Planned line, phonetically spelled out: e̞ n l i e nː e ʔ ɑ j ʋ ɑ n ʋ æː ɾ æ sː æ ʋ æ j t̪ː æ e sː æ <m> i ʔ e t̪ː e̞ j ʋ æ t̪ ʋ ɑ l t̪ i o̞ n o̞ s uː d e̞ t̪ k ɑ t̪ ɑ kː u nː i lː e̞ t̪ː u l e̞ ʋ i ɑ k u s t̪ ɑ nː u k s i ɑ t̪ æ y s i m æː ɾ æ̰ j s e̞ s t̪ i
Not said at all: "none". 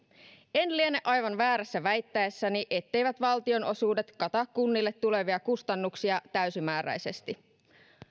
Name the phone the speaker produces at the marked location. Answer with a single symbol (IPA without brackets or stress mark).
n